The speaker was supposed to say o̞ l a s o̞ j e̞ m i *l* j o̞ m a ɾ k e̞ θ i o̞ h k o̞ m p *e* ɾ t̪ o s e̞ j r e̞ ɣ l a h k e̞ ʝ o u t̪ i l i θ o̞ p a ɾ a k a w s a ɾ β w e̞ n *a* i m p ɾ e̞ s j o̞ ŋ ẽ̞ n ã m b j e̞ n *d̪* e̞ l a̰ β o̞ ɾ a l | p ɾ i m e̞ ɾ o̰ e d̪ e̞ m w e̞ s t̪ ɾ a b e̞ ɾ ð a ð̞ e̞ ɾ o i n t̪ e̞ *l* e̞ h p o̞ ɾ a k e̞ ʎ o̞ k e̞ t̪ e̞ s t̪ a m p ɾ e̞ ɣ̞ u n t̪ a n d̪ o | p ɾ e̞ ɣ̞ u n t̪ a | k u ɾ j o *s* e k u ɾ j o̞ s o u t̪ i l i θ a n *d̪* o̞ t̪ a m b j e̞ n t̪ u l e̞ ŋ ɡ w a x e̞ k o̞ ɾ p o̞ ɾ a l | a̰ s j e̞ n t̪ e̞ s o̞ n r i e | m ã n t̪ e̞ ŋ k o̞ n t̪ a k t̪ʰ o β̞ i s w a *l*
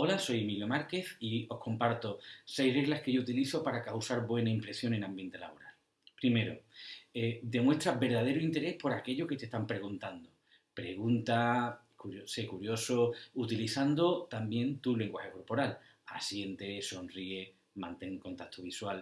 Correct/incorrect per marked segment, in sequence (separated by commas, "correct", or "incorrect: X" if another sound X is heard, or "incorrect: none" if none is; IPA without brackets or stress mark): correct, incorrect: a, correct, incorrect: t̪, incorrect: ɾ, correct, correct, correct